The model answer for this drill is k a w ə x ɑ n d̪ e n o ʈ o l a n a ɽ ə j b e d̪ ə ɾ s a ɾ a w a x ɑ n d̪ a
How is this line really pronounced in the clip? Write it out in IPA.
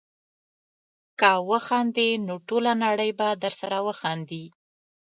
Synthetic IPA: k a w ə x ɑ n d̪ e n o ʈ o l a n a ɽ ə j b a d̪ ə ɾ s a ɾ a w ə x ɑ n d̪ i